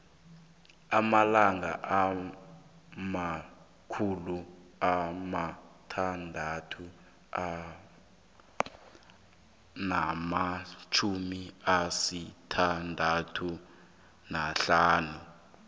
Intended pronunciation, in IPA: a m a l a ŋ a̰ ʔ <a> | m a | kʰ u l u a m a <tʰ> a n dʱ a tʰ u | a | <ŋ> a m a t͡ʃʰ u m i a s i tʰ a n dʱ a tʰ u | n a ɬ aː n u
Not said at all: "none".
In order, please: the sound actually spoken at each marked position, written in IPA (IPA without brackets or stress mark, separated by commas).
a, tʰ, n